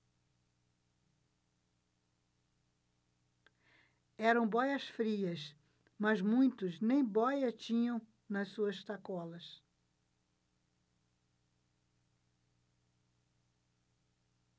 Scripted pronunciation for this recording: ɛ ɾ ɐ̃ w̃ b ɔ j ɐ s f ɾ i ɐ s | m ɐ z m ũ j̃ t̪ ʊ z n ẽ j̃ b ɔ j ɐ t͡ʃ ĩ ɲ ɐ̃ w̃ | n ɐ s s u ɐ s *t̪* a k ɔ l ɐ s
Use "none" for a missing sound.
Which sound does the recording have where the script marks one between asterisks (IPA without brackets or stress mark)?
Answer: t̪